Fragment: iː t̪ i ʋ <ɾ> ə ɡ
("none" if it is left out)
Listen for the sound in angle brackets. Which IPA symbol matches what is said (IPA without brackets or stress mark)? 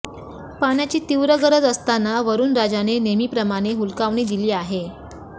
ɾ